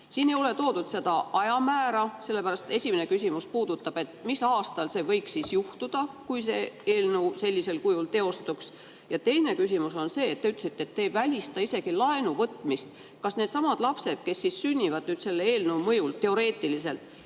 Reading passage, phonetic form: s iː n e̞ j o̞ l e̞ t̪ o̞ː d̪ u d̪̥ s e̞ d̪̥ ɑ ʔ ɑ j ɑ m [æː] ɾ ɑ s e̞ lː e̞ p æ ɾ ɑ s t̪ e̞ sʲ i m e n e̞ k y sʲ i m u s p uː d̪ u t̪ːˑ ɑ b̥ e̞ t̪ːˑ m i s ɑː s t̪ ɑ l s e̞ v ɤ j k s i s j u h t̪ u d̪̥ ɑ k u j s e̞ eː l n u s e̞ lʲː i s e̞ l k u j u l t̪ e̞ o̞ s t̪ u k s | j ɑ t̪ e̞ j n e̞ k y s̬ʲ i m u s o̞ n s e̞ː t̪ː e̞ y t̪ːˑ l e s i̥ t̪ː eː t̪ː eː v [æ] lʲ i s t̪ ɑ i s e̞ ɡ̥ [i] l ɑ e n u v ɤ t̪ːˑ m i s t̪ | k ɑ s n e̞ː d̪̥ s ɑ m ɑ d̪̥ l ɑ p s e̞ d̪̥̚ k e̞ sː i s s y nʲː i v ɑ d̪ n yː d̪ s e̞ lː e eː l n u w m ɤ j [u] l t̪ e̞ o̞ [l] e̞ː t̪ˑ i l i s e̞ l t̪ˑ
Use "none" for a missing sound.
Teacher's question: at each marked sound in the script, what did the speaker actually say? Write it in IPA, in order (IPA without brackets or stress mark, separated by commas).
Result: æː, æ, i, u, ɾ